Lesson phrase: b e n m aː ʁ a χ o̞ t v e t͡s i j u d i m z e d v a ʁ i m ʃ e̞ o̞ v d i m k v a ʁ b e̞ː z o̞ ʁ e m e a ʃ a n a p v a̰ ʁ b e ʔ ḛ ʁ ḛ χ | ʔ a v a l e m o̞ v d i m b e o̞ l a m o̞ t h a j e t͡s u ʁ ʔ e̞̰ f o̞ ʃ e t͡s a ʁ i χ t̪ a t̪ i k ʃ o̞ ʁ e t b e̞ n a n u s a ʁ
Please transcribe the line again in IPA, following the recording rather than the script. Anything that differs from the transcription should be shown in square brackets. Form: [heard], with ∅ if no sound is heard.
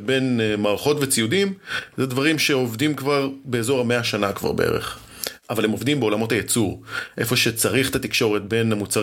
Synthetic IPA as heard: b e n m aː ʁ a χ o̞ t v e t͡s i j u d i m z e d v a ʁ i m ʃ e̞ o̞ v d i m k v a ʁ b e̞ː z o̞ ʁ [a] m e a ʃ a n a [k] v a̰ ʁ b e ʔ ḛ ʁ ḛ χ | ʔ a v a l e m o̞ v d i m b e o̞ l a m o̞ t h a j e t͡s u ʁ ʔ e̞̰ f o̞ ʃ e t͡s a ʁ i χ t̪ a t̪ i k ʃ o̞ ʁ e t b e̞ n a [m] u [t͡s] a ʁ